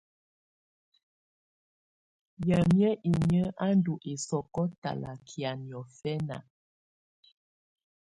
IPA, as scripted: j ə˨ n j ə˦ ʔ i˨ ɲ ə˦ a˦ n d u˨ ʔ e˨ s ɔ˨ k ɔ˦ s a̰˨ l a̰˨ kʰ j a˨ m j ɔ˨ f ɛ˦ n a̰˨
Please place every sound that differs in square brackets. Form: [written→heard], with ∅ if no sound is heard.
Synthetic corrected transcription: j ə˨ [n→m] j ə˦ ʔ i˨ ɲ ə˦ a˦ n d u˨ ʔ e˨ s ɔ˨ k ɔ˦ [s→t] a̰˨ l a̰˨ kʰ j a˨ [m→n] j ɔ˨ f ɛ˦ n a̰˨